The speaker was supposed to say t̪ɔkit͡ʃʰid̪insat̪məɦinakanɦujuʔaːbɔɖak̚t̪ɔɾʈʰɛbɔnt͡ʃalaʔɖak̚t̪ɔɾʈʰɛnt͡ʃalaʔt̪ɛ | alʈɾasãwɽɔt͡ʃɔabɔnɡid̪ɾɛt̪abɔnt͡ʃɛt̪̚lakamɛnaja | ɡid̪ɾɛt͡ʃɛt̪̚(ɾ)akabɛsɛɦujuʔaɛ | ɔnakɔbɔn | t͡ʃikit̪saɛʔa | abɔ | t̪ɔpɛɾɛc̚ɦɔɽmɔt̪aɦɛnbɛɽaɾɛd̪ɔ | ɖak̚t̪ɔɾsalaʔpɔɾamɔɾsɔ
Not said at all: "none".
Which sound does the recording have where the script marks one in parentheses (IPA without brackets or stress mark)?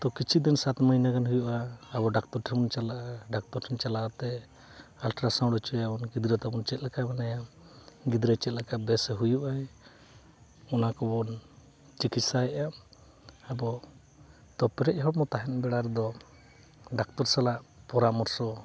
l